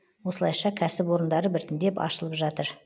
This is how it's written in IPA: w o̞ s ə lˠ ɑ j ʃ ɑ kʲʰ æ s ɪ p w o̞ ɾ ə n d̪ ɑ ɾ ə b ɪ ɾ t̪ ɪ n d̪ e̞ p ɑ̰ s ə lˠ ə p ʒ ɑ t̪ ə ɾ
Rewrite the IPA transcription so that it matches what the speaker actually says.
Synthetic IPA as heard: w o̞ s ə lˠ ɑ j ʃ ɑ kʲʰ æ s ɪ p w o̞ ɾ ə n d̪ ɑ ɾ ə b ɪ ɾ t̪ ɪ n d̪ e̞ p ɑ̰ ʃ ə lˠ ə p ʒ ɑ t̪ ə ɾ

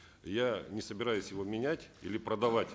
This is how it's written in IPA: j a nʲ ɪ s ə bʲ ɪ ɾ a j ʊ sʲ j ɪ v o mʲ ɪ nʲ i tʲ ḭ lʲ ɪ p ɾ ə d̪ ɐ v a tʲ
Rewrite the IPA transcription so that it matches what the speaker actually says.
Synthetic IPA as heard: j a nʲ ɪ s ə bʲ ɪ ɾ a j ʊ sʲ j ɪ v o mʲ ɪ nʲ æ tʲ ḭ lʲ ɪ p ɾ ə d̪ ɐ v a tʲ

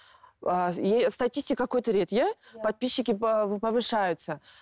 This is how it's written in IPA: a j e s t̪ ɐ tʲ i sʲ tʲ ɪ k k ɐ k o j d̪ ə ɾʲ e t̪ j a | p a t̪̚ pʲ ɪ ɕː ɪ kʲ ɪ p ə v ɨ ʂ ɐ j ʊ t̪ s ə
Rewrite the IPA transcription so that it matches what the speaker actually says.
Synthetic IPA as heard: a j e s t̪ ɐ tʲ i sʲ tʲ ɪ k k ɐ k o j t̪ ə ɾʲ e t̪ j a | p ɐ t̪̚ pʲ i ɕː ɪ kʲ ɪ p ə v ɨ ʂ a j ʊ t̪ s ə

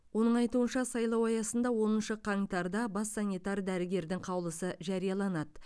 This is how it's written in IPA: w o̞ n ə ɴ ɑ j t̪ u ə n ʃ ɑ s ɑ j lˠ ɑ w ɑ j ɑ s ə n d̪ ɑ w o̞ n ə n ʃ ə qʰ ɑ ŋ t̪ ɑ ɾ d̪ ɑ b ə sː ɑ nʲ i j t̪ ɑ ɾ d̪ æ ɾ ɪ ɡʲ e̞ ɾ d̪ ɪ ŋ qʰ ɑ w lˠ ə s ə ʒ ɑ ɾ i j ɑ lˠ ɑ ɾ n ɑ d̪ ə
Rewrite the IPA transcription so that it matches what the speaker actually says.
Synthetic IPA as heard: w o̞ n ə ɴ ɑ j t̪ u ə n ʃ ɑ s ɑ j lˠ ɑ w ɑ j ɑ s ə n d̪ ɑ w o̞ n ə n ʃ ə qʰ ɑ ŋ t̪ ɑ ɾ d̪ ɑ b ɑ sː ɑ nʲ i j t̪ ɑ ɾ d̪ æ ɾ ɪ ɡʲ e̞ ɾ d̪ ɪ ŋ qʰ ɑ w lˠ ə s ə ʒ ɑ ɾ i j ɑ lˠ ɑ n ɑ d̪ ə

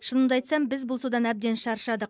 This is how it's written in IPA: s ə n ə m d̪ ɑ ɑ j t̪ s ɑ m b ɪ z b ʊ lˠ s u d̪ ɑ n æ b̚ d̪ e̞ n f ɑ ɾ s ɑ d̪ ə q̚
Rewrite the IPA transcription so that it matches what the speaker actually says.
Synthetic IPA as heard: ʃ ə n ə m d̪ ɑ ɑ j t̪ s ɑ m b ɪ z b ʊ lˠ s u d̪ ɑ n æ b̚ d̪ e̞ n ʃ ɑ ɾ ʃ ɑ d̪ ə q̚

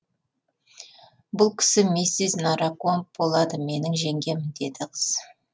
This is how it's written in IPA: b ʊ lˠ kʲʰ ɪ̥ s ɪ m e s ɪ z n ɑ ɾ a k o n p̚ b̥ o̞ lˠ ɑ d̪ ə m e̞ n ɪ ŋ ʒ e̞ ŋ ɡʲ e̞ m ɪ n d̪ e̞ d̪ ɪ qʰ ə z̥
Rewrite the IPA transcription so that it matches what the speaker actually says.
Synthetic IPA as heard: b ʊ lˠ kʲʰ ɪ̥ s ɪ m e s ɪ z n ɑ ɾ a k o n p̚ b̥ o̞ lˠ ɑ d̪ ə m e̞ n ɪ ŋ ʒ e̞ ŋ ɡʲ e̞ m ɪ n d̪ e̞ d̪ ɪ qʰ ə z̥

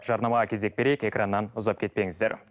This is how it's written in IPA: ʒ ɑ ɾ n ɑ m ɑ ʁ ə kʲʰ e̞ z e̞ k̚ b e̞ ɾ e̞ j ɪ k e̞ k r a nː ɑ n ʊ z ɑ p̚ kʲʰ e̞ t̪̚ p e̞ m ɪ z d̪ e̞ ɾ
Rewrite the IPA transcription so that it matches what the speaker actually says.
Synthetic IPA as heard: ʒ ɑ ɾ n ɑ m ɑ ʁ ɑ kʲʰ e̞ z e̞ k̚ b e̞ ɾ e̞ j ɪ k e̞ k r a nː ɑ n ʊ z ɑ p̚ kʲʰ e̞ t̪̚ p e̞ ŋ ɪ z d̪ e̞ ɾ

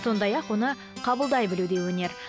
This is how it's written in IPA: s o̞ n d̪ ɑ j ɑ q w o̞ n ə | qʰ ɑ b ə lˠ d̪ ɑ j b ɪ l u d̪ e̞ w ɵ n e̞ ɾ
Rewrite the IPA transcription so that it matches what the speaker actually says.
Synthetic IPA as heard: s o̞ n d̪ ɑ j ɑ q w o̞ n ə | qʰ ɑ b ə lˠ d̪ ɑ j b ɪ l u d̪ e̞ w ɵ n e̞ ɾ

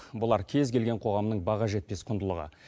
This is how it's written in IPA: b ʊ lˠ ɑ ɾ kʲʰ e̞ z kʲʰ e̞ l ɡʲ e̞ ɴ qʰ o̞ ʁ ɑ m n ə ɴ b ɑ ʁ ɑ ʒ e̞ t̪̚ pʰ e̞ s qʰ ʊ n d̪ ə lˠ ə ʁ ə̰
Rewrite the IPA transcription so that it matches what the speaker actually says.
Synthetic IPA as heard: b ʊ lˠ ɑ ɾ kʲʰ e̞ z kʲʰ e̞ l ɡʲ e̞ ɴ qʰ o̞ ʁ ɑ m n ə ɴ b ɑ ʁ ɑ ʒ e̞ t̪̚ p e̞ s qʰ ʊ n d̪ ə lˠ ə ʁ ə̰

